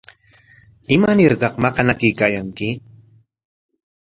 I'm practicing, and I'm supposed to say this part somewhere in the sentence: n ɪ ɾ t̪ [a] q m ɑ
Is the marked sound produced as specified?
no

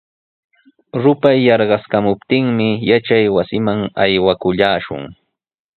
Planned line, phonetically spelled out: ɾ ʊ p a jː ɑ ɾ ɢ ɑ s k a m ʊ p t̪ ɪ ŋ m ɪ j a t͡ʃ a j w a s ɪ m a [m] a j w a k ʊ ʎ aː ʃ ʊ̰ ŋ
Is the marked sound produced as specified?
no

